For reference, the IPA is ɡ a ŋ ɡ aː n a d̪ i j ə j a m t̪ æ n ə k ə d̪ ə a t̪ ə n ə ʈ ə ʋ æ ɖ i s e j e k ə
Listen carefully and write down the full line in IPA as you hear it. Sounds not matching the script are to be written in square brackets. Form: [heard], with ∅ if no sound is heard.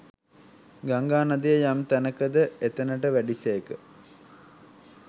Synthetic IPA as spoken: ɡ a ŋ ɡ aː n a d̪ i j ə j a m t̪ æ n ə k ə d̪ ə [e] t̪ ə n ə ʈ ə ʋ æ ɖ i s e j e k ə